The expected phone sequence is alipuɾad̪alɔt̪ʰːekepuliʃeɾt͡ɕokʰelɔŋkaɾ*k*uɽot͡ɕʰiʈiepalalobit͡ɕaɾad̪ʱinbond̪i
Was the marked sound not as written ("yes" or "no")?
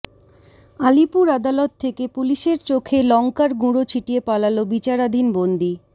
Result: yes